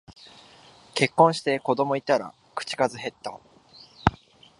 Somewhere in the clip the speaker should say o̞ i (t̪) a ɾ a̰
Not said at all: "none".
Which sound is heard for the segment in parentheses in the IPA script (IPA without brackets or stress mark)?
t̪